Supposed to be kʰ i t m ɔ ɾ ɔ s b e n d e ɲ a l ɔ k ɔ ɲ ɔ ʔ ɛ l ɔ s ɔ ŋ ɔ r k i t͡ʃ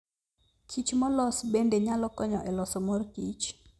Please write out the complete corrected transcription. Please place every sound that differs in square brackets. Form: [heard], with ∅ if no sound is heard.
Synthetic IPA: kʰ i [t͡ʃ] m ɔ [l] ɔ s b e n d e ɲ a l ɔ k ɔ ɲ ɔ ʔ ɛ l ɔ s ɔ [m] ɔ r k i t͡ʃ